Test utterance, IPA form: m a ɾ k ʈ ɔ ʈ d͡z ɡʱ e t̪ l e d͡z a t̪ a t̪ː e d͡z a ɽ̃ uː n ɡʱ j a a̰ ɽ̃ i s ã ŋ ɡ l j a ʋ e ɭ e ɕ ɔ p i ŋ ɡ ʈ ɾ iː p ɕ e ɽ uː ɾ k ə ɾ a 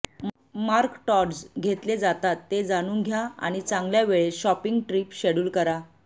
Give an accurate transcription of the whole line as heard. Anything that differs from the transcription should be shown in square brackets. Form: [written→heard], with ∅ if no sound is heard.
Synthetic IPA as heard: m a ɾ k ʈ ɔ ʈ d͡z ɡʱ e t̪ l e d͡z a t̪ a t̪ː e d͡z a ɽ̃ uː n ɡʱ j a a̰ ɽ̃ i [s→t͡s] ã ŋ ɡ l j a ʋ e ɭ e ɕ ɔ p i ŋ ɡ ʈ ɾ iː p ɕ e ɽ uː [ɾ→l] k ə ɾ a

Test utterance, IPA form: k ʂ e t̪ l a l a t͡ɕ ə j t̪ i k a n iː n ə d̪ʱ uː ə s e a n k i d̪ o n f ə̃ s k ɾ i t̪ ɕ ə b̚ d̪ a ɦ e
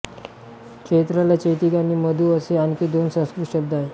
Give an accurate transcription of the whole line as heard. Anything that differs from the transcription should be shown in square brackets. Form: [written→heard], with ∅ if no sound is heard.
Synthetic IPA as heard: k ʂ e t̪ [l→ɾ] a l a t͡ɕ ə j t̪ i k a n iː [n→m] ə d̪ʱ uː ə s e a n k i d̪ o n [f→s] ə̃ s k ɾ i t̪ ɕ ə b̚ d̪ a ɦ e

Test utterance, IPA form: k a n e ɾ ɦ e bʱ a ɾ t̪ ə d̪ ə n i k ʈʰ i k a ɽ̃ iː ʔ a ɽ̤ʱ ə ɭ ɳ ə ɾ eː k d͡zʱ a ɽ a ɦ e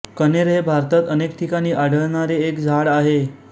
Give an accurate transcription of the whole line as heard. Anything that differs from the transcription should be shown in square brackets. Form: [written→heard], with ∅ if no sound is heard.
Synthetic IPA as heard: k [a→ə] n e ɾ ɦ e bʱ a ɾ t̪ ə [d̪→t̪] ə n [i→e] k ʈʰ i k a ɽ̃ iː ʔ a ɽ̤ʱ ə ɭ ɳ [ə→a] ɾ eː k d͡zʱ a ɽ a ɦ e

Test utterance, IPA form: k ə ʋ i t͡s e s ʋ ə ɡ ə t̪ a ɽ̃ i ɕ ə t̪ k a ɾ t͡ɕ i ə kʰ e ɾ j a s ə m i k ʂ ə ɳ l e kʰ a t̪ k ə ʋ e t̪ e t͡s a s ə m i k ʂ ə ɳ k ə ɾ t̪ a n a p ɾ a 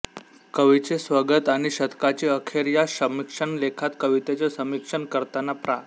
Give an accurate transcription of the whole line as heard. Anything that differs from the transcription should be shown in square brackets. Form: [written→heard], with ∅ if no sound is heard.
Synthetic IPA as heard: k ə ʋ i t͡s e s ʋ ə ɡ ə t̪ a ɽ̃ i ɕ ə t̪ k a [ɾ→∅] t͡ɕ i ə kʰ e ɾ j a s ə m i k ʂ ə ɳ l e kʰ a t̪ k ə ʋ [e→i] t̪ e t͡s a s ə m i k ʂ ə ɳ k ə ɾ t̪ a n a p ɾ a

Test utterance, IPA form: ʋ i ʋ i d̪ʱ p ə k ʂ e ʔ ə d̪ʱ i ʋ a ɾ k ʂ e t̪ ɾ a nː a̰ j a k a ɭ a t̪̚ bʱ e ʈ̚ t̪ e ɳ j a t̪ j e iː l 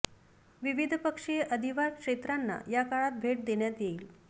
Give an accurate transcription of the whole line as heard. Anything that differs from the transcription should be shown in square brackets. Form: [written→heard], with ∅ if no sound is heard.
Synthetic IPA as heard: ʋ i ʋ i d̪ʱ p ə k ʂ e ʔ ə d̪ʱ i ʋ a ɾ k ʂ e t̪ ɾ a nː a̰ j a k a ɭ a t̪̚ bʱ e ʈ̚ [t̪→d̪] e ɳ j a t̪ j e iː l

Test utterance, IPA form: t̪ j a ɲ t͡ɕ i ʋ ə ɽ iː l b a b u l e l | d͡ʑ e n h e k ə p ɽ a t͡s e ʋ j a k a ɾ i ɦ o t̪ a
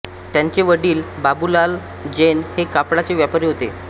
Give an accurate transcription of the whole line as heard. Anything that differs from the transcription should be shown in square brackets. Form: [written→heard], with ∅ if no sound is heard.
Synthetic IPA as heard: t̪ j a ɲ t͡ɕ [i→e] ʋ ə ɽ iː l b a b u l [e→a] l | d͡ʑ e n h e k [ə→a] p ɽ a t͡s e ʋ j a [k→p] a ɾ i ɦ o t̪ [a→e]

